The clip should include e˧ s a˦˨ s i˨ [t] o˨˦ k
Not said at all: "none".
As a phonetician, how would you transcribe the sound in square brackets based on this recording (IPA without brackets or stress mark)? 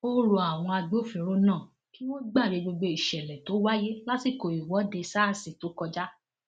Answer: t